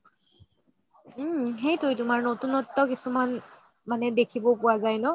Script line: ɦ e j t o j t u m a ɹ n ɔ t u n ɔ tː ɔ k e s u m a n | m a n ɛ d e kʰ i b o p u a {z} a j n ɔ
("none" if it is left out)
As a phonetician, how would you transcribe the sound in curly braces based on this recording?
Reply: z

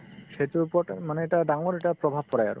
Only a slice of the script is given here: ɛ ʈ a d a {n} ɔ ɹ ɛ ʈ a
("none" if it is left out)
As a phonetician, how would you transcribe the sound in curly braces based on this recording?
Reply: ŋ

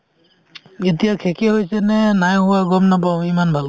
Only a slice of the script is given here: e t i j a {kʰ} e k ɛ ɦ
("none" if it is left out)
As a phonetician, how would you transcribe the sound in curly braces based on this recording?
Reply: kʰ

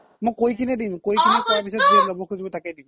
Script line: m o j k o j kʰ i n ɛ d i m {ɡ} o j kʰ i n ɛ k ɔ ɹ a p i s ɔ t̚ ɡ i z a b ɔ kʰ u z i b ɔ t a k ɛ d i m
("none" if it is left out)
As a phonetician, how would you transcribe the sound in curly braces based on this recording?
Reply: k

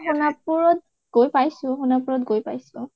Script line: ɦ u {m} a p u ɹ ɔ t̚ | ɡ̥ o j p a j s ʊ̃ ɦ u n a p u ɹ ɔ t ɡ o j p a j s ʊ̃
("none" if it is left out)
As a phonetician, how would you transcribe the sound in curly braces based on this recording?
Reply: n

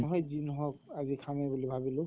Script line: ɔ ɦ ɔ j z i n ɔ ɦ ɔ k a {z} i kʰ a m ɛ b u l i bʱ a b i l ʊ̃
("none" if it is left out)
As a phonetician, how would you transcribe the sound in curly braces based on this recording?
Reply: z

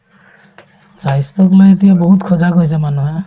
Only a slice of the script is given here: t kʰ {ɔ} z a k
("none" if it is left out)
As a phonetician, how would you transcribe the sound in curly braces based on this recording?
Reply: ɔ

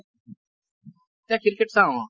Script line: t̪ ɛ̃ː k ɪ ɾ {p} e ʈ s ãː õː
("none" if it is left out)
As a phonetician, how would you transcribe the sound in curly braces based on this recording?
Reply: k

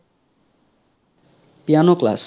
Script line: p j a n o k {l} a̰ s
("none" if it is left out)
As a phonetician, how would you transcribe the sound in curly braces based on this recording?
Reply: l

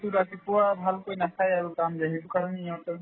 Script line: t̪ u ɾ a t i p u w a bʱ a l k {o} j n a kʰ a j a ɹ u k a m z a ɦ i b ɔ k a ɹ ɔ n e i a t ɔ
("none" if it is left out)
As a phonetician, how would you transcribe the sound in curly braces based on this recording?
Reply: o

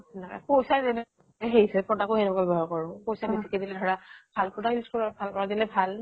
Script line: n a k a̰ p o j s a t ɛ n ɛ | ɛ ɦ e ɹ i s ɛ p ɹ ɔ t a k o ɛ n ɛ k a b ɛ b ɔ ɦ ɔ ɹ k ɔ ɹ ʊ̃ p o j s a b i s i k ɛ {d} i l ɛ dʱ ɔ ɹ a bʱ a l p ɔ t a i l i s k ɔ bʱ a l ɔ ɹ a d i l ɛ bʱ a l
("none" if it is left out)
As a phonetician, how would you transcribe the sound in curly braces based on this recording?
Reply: d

